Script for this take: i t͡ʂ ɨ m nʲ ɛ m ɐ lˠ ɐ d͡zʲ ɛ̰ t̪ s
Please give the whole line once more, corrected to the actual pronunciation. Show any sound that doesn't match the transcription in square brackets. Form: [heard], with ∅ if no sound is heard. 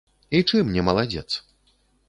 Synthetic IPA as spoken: i t͡ʂ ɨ m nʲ ɛ m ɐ lˠ [a] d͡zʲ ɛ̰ t̪ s